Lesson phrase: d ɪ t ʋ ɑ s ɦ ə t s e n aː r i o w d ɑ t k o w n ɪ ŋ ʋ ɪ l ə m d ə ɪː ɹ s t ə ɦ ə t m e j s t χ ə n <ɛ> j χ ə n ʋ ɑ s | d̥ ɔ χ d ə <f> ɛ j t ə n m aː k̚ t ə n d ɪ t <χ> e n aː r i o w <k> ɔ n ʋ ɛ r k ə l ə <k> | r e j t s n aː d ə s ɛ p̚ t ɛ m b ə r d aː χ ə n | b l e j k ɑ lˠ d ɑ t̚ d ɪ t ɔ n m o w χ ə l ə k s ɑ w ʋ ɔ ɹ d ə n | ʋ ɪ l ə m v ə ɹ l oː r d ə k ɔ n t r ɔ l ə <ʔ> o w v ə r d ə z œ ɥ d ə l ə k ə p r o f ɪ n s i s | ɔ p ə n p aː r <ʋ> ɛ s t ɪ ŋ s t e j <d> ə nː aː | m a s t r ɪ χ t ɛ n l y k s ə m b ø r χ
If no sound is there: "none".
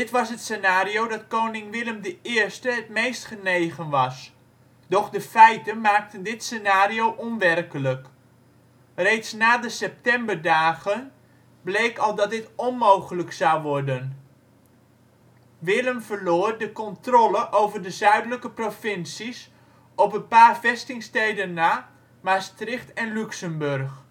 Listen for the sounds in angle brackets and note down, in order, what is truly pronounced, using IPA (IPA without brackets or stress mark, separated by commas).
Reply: e, f, s, ʔ, k, ʔ, v, d